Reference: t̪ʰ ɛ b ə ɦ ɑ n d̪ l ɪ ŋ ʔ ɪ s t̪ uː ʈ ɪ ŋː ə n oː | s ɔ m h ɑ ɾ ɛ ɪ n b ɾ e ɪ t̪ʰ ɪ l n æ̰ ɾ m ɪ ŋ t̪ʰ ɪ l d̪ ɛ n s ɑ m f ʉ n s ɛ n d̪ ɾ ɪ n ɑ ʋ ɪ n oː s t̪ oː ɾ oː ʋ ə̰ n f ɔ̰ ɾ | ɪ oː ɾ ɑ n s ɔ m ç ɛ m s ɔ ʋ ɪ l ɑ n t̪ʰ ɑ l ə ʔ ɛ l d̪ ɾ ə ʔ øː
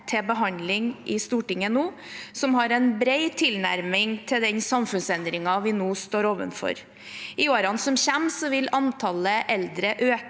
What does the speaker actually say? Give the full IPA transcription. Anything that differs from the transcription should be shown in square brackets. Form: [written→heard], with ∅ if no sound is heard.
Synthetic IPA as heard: t̪ʰ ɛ b ə ɦ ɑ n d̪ l ɪ ŋ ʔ ɪ s t̪ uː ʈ ɪ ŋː ə n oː | s ɔ m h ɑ ɾ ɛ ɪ n b ɾ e ɪ t̪ʰ ɪ l n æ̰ ɾ m ɪ ŋ t̪ʰ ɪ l d̪ ɛ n s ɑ m f ʉ n s ɛ n d̪ ɾ ɪ [n→ŋ] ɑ ʋ ɪ n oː s t̪ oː ɾ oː ʋ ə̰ n f ɔ̰ ɾ | ɪ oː ɾ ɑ n s ɔ m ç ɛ m s ɔ ʋ ɪ l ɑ n t̪ʰ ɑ l ə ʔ ɛ l d̪ ɾ ə ʔ øː